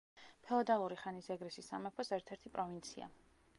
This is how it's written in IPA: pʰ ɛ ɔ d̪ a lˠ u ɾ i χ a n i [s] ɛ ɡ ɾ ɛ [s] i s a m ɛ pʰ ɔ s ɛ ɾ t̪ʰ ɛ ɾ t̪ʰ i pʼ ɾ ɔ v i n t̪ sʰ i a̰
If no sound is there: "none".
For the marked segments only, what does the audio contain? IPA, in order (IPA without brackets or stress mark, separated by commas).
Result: s, s